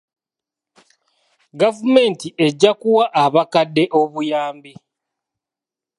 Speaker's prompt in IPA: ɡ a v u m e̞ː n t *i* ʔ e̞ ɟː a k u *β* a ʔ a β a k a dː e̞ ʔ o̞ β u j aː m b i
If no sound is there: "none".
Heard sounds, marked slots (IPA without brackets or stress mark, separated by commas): i, w